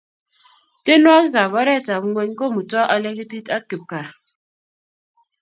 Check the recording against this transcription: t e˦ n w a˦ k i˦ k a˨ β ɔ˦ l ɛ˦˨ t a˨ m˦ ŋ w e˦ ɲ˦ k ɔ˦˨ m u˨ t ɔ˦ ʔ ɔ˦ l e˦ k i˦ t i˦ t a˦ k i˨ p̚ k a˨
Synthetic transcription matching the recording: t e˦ n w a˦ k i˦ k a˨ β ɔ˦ ɾ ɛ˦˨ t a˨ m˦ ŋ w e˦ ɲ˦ k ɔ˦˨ m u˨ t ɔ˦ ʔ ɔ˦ l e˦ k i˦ t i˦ t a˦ k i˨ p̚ k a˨